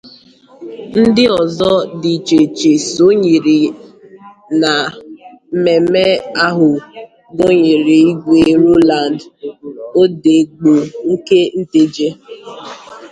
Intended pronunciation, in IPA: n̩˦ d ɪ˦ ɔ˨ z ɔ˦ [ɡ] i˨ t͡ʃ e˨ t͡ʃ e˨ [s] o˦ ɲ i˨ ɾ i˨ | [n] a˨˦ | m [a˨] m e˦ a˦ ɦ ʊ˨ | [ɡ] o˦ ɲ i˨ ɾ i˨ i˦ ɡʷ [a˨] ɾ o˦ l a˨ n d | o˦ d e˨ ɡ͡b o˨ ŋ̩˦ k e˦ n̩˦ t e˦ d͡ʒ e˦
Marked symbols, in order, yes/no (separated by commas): no, yes, yes, no, yes, no